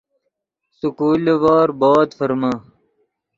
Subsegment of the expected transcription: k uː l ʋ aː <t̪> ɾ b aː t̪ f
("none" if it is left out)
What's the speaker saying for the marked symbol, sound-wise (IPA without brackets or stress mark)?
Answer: none